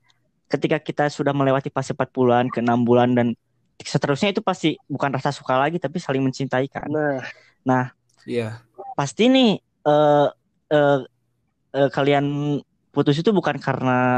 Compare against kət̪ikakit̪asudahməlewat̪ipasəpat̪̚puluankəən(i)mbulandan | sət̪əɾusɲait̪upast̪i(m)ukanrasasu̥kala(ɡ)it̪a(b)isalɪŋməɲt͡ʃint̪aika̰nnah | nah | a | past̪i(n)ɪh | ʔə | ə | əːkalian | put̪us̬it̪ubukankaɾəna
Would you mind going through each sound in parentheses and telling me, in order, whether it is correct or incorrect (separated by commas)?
incorrect, incorrect, correct, incorrect, correct